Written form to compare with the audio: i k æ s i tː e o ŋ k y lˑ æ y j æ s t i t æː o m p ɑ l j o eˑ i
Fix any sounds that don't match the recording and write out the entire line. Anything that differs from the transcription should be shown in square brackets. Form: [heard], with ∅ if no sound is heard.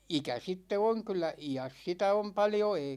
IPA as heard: i k æ s i tː e o ŋ k y lˑ æ [i] j æ s [s] i t [æ] o m p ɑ l j o eˑ i